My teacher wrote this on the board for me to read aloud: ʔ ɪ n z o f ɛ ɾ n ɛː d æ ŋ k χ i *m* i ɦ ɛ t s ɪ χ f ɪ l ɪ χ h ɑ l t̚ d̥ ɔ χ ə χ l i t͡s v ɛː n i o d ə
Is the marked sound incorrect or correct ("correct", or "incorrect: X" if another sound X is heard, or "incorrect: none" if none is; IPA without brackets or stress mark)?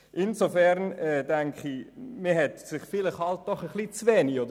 correct